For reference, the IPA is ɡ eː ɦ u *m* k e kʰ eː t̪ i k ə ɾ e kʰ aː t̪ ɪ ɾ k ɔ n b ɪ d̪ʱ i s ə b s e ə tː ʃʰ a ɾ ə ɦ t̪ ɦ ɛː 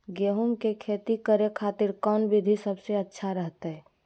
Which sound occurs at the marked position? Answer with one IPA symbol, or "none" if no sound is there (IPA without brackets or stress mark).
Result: m